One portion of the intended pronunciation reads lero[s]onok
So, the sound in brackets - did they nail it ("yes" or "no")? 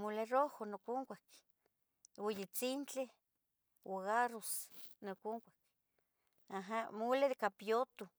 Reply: no